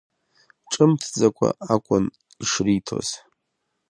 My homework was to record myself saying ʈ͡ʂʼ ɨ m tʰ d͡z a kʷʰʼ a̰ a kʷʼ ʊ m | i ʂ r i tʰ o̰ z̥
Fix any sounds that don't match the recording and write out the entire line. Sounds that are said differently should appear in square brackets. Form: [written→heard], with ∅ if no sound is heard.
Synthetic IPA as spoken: ʈ͡ʂʼ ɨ m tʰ d͡z a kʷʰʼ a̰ a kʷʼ ʊ [m→n] | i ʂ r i tʰ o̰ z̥